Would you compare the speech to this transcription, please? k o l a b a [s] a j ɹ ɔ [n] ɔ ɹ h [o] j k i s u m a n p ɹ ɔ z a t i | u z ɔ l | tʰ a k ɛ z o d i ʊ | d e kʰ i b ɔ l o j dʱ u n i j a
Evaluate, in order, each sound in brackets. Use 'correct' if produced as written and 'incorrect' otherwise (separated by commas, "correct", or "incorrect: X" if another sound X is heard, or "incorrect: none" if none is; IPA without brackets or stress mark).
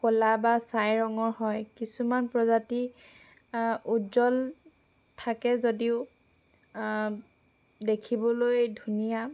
correct, incorrect: ŋ, incorrect: ɔ